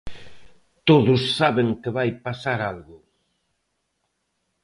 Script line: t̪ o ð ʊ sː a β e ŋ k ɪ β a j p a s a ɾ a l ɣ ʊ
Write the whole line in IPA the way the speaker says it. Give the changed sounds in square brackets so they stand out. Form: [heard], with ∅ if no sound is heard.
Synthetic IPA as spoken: t̪ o ð ʊ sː a β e ŋ k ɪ β a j p a s a ɾ a l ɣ ʊ